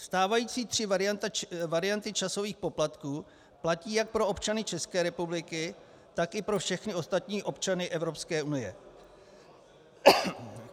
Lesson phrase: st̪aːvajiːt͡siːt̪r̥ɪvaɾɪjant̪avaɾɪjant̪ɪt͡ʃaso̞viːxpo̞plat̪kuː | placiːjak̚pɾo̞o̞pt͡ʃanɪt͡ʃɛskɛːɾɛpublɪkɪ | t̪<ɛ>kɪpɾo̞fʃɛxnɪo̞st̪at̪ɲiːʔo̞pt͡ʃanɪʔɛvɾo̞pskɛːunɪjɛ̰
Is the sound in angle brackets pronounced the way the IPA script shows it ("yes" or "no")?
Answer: no